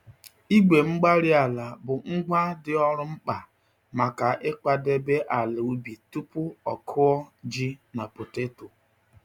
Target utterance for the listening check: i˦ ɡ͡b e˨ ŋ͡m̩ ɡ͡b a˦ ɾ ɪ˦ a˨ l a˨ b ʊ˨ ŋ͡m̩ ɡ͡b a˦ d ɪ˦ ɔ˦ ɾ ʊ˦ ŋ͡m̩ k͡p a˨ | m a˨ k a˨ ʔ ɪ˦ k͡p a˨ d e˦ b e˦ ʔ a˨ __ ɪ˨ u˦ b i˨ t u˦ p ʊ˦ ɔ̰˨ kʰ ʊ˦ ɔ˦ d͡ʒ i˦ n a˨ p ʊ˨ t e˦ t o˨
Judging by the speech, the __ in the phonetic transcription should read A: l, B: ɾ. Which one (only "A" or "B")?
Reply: A